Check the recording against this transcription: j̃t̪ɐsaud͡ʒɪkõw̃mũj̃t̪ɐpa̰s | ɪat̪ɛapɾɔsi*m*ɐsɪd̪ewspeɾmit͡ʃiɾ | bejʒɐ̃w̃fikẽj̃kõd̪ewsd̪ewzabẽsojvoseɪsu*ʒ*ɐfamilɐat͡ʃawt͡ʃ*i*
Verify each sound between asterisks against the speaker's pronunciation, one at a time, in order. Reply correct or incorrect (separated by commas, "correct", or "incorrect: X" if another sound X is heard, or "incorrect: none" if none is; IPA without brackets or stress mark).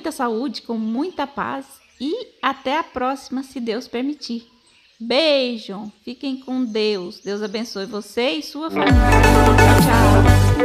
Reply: correct, incorrect: none, incorrect: a